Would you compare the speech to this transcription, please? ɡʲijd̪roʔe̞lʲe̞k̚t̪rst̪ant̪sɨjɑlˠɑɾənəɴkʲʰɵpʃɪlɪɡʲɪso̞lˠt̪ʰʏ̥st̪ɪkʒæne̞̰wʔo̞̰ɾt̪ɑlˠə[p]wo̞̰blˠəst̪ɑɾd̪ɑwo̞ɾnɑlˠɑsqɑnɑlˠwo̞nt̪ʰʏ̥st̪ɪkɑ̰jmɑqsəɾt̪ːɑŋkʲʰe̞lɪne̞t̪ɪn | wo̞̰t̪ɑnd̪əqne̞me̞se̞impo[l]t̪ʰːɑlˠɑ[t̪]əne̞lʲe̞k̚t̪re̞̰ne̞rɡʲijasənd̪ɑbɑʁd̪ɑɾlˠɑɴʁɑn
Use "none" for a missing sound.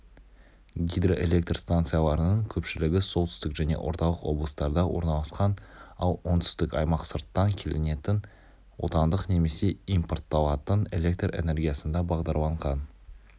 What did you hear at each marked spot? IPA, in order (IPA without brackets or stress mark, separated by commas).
q, r, t̪